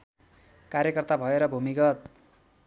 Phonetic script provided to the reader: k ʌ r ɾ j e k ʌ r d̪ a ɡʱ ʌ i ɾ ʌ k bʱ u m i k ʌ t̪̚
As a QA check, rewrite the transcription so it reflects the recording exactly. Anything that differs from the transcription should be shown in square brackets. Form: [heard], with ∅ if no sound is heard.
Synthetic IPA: k [a] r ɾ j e k ʌ r [t̪] a [bʱ] ʌ [e] ɾ ʌ [∅] bʱ u m i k ʌ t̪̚